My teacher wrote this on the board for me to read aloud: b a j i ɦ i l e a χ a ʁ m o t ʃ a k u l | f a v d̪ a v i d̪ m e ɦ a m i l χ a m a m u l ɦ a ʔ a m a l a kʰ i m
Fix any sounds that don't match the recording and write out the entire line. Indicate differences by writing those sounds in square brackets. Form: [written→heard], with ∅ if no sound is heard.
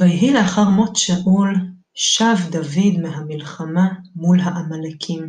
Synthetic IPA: [b→v] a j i ɦ i l e a χ a ʁ m o t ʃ a [k→ʔ] u l | [f→ʃ] a v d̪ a v i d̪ m e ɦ a m i l χ a m a m u l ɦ a ʔ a m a l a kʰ i m